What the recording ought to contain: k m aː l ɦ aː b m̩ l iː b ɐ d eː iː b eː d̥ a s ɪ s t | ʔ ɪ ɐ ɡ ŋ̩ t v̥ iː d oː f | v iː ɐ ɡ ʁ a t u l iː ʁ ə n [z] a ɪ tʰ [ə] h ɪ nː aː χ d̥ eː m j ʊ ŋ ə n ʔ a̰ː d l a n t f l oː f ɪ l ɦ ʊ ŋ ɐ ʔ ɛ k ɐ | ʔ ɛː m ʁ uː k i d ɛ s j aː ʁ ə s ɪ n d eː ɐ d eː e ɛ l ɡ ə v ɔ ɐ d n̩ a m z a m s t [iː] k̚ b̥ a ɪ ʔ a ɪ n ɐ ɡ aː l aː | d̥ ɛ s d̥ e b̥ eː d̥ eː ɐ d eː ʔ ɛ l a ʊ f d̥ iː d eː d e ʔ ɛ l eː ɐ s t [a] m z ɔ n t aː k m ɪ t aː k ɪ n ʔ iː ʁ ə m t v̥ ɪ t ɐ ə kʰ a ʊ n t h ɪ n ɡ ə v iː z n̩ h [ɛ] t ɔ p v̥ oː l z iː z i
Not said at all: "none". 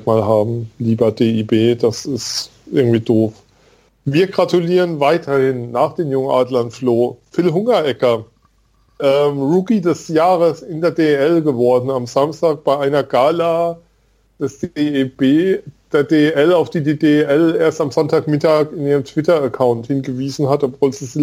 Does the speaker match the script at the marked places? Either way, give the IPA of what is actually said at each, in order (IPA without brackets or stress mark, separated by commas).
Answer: v, ɐ, aː, a, a